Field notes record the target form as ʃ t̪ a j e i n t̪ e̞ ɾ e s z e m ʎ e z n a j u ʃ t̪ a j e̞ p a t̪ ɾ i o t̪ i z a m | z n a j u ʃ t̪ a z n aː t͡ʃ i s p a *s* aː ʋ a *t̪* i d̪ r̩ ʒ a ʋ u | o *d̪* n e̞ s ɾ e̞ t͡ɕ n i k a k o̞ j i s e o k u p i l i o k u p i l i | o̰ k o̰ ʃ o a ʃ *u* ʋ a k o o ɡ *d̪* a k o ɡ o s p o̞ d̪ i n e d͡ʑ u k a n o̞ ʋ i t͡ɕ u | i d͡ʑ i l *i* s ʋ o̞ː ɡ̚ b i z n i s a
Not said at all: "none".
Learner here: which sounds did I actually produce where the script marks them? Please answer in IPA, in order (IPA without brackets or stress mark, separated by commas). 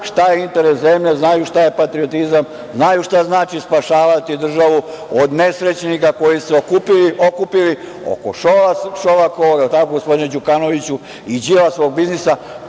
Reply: ʃ, t̪, d̪, o, t̪, a